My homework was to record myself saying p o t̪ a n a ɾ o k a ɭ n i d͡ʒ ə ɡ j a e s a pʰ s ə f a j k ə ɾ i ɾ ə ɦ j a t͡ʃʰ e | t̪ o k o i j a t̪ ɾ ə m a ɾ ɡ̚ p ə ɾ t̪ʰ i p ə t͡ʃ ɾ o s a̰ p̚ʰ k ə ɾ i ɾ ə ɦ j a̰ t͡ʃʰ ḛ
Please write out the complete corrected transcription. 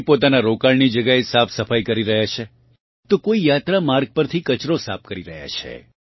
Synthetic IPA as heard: p o t̪ a n a ɾ o k a ɭ n i d͡ʒ ə ɡ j a e s a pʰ s ə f a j k ə ɾ i ɾ ə ɦ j a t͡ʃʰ e | t̪ o k o i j a t̪ ɾ a m a ɾ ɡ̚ p ə ɾ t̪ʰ i k ə t͡ʃ ɾ o s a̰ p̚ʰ k ə ɾ i ɾ ə ɦ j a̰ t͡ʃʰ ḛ